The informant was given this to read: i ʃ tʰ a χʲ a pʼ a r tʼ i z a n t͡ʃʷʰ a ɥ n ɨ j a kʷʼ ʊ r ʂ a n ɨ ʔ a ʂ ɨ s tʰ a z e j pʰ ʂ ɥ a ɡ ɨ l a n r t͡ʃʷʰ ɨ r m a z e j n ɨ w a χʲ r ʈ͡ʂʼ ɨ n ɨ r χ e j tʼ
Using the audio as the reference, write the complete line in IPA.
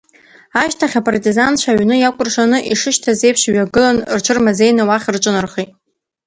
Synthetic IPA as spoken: a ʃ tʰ a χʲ a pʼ a r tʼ i z a n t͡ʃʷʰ a ɥ n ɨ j a kʷʼ ʊ r ʂ a n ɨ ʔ i ʂ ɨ ʃ tʰ a z e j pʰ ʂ ɥ a ɡ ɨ l a n r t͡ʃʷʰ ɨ r m a z e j n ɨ w a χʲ r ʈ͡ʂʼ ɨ n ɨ r χ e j tʼ